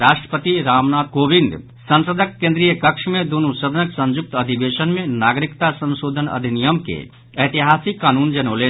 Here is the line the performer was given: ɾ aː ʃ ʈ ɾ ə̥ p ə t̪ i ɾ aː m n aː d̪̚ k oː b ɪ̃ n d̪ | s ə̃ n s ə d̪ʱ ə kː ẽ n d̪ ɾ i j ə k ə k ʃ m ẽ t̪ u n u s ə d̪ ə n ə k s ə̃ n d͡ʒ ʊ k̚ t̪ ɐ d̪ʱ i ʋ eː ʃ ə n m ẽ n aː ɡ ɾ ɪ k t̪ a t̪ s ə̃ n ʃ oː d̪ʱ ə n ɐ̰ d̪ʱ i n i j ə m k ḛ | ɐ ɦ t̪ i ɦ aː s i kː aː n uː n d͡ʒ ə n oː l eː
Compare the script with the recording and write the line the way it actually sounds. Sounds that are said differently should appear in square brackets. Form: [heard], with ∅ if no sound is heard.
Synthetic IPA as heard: ɾ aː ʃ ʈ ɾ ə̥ p ə t̪ i ɾ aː m n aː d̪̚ k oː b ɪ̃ n d̪ | s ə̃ n s ə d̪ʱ ə kː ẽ n d̪ ɾ i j ə k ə k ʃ m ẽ [d̪] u n u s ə d̪ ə n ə k s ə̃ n d͡ʒ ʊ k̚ t̪ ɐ d̪ʱ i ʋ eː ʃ ə n m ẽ n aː ɡ ɾ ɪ k t̪ a [∅] s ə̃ n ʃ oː d̪ʱ ə n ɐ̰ d̪ʱ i n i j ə m k ḛ | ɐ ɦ t̪ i ɦ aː s i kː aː n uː n d͡ʒ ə n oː l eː